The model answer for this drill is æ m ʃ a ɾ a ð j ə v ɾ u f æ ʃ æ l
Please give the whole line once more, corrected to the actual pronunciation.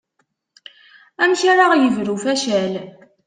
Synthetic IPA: æ m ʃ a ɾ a ʁ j ə v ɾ u f æ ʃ æ l